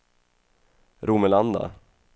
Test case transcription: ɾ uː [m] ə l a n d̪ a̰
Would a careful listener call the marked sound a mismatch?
no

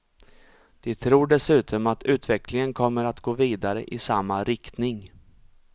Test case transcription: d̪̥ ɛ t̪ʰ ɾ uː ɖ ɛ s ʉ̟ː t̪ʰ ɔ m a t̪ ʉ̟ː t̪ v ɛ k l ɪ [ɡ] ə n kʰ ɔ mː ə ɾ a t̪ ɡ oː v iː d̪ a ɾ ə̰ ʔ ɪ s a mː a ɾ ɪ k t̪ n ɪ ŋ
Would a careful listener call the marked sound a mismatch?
yes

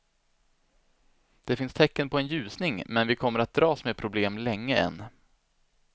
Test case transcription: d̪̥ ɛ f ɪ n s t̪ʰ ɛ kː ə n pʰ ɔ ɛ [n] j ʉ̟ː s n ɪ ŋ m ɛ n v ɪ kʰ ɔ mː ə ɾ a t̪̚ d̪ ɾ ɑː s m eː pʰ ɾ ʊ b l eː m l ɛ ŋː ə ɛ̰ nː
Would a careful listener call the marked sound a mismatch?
no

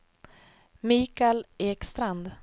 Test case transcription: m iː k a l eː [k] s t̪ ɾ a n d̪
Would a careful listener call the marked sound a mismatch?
no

